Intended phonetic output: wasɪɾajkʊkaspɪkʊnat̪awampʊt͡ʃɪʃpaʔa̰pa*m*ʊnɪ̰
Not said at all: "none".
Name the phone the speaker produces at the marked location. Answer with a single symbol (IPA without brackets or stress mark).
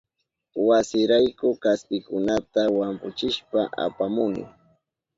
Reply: m